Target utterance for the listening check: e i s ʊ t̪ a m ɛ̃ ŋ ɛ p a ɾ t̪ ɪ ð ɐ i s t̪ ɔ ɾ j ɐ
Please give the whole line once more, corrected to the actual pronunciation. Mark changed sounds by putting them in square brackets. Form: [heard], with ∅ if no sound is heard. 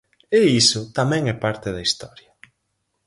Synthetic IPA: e i s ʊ t̪ a m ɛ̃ ŋ ɛ p a ɾ t̪ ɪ ð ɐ i s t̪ ɔ ɾ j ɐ